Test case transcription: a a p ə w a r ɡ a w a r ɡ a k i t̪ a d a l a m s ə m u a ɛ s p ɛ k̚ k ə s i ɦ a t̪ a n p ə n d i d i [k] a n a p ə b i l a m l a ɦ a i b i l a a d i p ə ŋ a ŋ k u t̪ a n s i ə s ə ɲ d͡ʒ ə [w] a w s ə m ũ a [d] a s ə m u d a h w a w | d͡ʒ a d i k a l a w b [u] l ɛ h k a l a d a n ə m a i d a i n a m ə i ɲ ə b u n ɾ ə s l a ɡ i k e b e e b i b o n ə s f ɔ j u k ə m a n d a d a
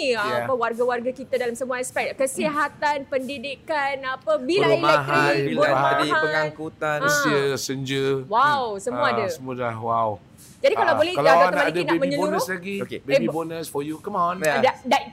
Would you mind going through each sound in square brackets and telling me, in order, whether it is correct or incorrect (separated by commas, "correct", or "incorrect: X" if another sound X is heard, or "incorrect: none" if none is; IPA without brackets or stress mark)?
correct, correct, correct, incorrect: o